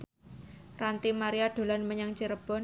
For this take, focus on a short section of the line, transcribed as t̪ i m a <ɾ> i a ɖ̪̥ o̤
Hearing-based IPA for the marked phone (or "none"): ɾ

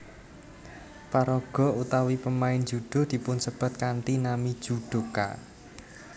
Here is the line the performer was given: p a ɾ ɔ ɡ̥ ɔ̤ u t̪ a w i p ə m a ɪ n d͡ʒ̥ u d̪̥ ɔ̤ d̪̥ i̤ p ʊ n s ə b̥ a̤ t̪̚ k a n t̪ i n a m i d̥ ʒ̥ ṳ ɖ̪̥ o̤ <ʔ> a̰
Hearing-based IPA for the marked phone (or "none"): k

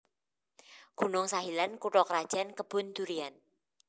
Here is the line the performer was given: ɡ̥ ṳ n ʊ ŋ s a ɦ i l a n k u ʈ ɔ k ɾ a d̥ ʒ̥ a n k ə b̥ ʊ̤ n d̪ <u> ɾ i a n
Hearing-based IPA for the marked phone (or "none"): u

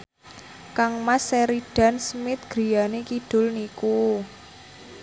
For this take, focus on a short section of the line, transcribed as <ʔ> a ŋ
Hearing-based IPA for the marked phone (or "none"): k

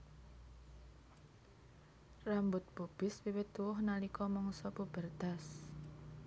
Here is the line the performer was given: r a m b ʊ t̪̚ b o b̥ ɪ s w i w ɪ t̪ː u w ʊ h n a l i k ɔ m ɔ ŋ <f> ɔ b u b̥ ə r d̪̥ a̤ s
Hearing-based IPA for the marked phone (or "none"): s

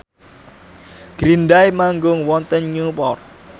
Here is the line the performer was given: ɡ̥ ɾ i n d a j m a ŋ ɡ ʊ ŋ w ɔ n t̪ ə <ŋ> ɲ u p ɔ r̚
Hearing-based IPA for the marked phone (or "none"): n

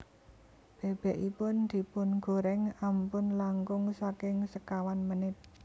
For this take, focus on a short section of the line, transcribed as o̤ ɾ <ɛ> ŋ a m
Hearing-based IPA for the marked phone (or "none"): ɛ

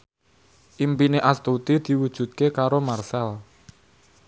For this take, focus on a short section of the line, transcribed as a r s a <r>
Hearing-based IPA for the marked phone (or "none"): l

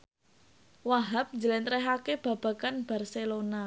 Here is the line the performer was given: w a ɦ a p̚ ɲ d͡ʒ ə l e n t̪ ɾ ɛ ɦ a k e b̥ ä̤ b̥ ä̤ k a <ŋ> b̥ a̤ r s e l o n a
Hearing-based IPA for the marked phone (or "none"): n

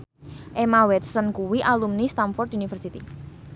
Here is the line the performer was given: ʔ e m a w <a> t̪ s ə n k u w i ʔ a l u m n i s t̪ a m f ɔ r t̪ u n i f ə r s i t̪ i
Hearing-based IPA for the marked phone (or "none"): ɛ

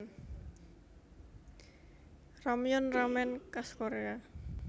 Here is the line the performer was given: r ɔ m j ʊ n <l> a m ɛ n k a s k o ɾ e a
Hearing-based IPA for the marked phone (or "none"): r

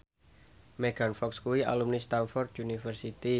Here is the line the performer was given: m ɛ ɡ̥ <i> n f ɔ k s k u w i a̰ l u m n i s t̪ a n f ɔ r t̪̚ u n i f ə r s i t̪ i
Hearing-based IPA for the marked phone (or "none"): a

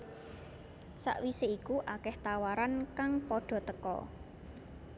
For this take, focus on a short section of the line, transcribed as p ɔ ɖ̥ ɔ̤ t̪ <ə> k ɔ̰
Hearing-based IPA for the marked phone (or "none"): ə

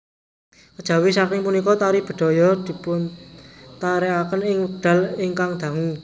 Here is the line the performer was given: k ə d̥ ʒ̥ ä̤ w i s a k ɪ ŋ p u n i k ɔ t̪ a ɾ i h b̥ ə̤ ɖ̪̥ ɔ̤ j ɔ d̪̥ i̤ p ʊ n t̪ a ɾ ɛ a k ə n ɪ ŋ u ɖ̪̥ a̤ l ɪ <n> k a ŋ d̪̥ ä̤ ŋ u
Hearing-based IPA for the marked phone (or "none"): ŋ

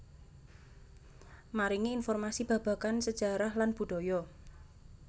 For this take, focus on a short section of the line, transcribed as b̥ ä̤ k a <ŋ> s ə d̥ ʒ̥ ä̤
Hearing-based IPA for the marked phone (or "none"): n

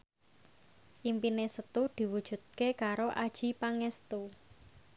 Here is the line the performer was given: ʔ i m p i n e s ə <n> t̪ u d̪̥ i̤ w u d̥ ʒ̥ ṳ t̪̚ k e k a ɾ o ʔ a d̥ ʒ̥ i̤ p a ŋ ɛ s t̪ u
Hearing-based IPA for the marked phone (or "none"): none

